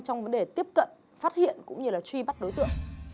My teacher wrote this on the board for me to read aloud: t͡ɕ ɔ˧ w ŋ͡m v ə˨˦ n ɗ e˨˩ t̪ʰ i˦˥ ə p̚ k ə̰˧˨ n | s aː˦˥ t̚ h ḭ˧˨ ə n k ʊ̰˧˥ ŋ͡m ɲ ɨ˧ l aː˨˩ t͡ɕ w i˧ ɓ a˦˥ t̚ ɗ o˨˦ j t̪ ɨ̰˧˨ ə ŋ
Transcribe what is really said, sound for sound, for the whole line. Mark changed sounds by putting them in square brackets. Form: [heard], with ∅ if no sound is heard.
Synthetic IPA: t͡ɕ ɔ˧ w ŋ͡m v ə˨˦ n ɗ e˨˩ [t̪] i˦˥ ə p̚ k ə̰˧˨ n | [f] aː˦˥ t̚ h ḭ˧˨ ə n k ʊ̰˧˥ ŋ͡m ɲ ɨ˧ l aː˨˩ t͡ɕ w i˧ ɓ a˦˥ t̚ ɗ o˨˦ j t̪ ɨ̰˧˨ ə ŋ